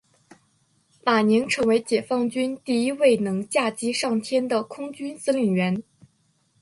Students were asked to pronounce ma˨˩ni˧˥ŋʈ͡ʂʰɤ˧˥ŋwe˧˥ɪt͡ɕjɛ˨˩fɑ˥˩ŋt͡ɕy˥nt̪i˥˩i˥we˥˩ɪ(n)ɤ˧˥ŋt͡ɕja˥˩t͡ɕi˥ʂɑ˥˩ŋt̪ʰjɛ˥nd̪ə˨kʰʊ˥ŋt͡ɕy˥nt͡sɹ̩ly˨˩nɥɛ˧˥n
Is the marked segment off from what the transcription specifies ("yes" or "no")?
no